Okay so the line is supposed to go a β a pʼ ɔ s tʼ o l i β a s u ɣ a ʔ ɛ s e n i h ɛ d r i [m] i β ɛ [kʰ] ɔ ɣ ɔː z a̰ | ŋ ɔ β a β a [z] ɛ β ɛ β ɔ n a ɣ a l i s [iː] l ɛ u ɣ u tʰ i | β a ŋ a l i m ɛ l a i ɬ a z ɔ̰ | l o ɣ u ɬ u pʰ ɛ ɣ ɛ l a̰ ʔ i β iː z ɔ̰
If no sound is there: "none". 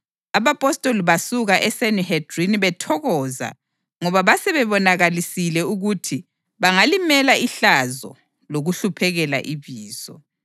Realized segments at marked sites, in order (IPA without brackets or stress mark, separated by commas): n, tʰ, s, i